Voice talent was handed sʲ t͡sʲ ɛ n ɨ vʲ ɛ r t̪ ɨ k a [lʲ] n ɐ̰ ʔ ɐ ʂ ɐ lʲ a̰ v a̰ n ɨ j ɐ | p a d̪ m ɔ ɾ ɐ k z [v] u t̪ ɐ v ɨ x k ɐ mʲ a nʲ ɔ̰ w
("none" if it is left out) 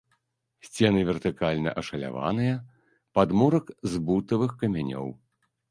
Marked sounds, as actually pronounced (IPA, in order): lʲ, b

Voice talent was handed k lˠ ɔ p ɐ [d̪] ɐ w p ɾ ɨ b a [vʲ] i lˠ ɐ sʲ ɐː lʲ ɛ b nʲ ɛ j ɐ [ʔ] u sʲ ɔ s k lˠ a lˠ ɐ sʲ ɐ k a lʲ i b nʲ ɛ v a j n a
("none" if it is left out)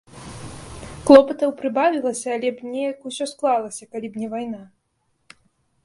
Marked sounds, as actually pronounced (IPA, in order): t̪, vʲ, k

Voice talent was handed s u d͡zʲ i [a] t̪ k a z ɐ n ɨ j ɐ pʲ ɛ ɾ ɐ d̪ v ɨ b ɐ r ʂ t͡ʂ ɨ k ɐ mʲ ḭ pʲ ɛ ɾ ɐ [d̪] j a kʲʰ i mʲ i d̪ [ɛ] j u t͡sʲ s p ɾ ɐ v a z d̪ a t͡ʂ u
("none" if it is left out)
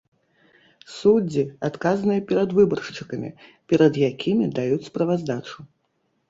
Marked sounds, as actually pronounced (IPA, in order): a, d̪, a

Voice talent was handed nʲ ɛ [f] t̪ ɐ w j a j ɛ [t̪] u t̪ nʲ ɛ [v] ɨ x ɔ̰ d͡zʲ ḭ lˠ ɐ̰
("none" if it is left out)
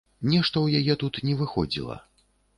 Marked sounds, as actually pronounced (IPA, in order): ʂ, t̪, v

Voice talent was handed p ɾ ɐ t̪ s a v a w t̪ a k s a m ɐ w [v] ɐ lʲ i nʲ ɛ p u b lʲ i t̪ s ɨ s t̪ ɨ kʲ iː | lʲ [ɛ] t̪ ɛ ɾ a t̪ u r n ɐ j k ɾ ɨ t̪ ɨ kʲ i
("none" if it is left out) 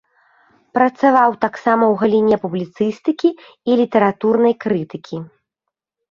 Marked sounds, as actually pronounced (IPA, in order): ɣ, i

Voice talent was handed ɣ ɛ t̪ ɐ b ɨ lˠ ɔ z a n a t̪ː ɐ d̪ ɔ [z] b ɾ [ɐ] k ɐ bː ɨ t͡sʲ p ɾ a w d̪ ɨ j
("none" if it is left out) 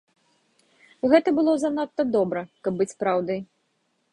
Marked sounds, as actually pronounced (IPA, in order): none, ɐ

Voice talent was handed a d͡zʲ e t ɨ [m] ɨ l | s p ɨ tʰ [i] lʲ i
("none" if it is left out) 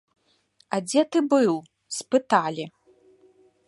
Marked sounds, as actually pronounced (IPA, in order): b, a

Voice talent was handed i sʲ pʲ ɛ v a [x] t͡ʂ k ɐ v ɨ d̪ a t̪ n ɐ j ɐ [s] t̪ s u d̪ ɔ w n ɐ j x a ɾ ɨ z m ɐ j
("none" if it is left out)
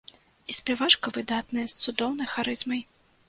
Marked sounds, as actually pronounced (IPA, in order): none, s

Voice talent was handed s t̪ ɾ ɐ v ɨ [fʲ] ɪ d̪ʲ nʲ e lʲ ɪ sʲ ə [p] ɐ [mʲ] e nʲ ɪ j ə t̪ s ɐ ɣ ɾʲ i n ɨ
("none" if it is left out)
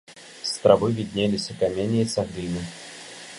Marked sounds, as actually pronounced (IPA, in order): vʲ, k, mʲ

